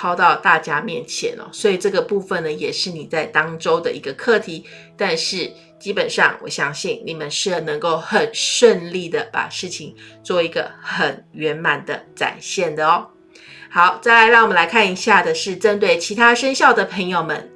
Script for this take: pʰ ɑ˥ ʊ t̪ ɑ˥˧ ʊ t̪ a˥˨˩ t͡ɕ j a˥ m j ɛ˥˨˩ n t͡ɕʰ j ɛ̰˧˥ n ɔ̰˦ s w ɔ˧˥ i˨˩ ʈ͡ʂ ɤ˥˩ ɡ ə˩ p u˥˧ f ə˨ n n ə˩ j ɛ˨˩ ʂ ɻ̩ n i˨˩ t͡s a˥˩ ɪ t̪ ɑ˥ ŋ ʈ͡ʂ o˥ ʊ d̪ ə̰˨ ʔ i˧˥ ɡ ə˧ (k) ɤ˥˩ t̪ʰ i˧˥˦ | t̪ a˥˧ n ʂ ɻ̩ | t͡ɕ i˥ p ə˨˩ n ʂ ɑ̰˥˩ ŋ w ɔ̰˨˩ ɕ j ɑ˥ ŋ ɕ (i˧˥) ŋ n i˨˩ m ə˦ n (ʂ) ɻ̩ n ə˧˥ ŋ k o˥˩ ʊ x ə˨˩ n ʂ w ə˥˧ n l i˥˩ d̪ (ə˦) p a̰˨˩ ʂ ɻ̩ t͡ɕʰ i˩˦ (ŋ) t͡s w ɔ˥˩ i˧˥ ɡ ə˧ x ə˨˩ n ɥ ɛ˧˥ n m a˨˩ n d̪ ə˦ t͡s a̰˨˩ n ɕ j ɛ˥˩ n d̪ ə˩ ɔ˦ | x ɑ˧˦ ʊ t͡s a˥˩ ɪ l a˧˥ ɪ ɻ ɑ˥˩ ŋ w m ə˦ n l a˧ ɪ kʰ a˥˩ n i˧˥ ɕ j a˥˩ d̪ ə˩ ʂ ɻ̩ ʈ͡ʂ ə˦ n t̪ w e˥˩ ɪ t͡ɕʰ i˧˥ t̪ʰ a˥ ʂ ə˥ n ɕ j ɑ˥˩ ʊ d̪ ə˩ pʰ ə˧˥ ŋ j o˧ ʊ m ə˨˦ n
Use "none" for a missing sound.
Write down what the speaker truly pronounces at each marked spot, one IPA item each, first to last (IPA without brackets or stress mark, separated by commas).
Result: kʰ, i˥˩, ʂ, ə˩, ŋ